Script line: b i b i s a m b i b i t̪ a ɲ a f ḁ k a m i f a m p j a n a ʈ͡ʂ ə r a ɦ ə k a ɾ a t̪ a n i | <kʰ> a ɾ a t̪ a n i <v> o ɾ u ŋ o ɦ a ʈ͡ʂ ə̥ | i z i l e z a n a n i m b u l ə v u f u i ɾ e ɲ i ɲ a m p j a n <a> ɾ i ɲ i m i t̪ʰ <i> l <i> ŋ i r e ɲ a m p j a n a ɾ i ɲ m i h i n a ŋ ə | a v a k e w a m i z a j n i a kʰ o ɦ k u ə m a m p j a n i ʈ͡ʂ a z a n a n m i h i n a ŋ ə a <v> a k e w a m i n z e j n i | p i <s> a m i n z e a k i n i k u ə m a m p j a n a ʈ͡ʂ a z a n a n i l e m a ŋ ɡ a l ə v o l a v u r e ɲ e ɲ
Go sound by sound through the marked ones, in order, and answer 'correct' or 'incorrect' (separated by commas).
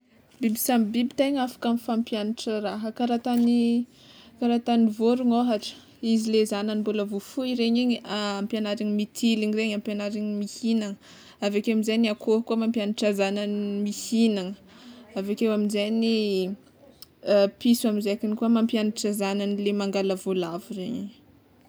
incorrect, correct, correct, correct, correct, correct, correct